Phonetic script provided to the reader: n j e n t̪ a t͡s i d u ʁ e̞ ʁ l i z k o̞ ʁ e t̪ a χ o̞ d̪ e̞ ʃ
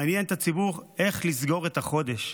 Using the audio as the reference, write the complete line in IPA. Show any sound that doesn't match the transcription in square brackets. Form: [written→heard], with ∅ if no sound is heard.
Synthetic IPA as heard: n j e n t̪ a t͡s i [d→b] u ʁ e̞ [ʁ→χ] l i z [k→ɡ] o̞ ʁ e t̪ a χ o̞ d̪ e̞ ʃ